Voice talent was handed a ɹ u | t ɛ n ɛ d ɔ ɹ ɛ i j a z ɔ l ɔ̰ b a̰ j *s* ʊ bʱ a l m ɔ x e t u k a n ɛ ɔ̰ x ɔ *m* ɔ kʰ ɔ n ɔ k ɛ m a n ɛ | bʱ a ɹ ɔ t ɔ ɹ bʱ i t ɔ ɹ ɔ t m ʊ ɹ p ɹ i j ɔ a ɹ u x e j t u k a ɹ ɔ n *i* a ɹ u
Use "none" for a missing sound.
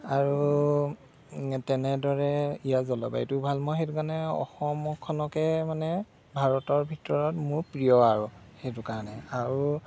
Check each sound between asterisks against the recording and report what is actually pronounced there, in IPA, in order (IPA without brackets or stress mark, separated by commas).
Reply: t, m, ɛ